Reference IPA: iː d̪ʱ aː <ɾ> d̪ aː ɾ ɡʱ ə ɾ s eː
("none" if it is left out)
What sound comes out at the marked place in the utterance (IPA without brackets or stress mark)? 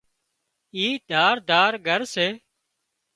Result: ɾ